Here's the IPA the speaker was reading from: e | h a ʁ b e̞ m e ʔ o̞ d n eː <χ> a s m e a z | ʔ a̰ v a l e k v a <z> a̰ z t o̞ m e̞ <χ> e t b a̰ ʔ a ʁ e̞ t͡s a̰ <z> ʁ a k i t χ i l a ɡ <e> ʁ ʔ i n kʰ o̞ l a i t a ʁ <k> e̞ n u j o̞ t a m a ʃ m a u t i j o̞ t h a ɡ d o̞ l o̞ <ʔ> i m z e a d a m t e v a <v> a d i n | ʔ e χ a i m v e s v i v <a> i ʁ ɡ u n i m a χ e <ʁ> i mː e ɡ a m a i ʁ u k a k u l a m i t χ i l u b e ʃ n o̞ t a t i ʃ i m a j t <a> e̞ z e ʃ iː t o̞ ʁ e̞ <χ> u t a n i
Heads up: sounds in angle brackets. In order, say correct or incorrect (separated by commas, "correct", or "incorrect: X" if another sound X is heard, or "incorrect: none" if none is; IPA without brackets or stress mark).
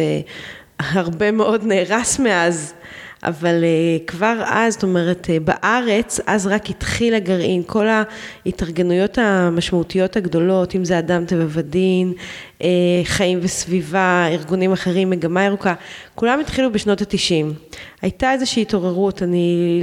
incorrect: ʁ, incorrect: ʁ, incorrect: ʁ, correct, incorrect: a, incorrect: ɡ, incorrect: t, correct, correct, correct, correct, incorrect: ʁ